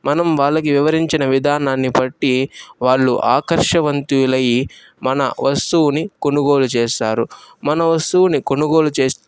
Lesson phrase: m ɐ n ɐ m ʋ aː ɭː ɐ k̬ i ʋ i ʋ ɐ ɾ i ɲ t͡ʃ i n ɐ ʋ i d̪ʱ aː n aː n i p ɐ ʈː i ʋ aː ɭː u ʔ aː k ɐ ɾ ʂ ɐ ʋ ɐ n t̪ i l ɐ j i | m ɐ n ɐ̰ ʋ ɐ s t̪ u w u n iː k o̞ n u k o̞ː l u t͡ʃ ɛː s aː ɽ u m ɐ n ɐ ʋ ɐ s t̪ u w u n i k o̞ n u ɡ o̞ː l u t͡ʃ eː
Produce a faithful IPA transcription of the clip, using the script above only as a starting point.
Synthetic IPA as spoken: m ɐ n ɐ m ʋ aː ɭː ɐ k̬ i ʋ i ʋ ɐ ɾ i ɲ t͡ʃ i n ɐ ʋ i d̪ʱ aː n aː nː i p ɐ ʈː i ʋ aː ɭː u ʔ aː k ɐ ɾ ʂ ɐ ʋ ɐ n t̪ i l ɐ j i | m ɐ n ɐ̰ ʋ ɐ s t̪ u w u n i k o̞ n u ɡ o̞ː l u t͡ʃ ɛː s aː ɾ u m ɐ n ɐ ʋ ɐ s t̪ u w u n i k o̞ n u ɡ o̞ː l u t͡ʃ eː